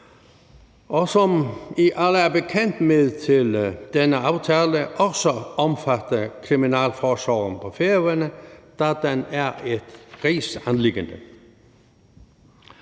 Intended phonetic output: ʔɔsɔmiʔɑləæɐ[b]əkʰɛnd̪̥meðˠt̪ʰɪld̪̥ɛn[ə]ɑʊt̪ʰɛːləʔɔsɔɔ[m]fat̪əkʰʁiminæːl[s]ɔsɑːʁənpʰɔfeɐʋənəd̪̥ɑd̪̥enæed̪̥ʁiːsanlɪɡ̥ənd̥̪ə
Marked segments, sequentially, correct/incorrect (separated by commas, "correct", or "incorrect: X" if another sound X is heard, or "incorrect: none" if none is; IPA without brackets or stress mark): correct, correct, correct, incorrect: f